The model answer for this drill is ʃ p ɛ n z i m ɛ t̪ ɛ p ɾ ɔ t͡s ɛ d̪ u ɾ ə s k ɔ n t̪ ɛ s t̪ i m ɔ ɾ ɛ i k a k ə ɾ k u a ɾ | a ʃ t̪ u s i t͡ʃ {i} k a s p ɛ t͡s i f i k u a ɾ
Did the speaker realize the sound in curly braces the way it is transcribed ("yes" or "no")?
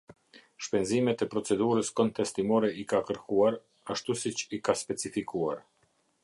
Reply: yes